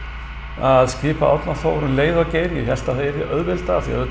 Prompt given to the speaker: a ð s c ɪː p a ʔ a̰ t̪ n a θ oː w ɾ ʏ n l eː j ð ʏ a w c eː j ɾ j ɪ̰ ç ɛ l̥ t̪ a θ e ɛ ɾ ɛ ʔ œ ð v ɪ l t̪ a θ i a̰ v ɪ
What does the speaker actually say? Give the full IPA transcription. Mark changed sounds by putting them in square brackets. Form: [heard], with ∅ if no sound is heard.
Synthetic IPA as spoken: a ð s c ɪː p a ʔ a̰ t̪ n a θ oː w ɾ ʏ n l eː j ð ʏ a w c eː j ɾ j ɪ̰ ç ɛ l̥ t̪ a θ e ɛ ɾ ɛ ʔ œ ð v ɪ l t̪ a θ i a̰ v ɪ